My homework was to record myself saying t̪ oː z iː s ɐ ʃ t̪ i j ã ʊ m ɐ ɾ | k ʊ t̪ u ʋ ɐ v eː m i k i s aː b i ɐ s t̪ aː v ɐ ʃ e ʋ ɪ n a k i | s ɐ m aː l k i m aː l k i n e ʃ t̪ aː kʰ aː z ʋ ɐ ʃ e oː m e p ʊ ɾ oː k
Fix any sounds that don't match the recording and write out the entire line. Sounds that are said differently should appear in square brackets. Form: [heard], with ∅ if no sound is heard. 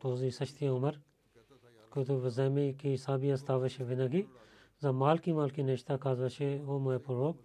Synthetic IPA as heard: t̪ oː z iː s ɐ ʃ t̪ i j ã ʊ m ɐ ɾ | k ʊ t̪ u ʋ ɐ [z] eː m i k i s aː b i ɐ s t̪ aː [ʋ] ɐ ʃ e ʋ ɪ n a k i | [z] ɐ m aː l k i m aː l k i n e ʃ t̪ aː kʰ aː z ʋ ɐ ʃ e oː m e p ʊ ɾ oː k